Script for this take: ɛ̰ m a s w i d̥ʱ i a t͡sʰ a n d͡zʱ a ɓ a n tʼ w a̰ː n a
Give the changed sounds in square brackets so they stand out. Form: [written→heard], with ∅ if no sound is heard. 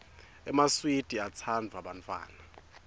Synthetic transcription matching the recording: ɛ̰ m a s w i d̥ʱ i a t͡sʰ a n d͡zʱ a ɓ a n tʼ w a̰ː n a